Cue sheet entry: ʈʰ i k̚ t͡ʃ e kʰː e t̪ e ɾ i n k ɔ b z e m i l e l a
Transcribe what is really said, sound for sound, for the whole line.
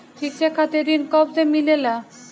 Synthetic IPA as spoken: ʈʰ i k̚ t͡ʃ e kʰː a t̪ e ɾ i n k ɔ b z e m i l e l a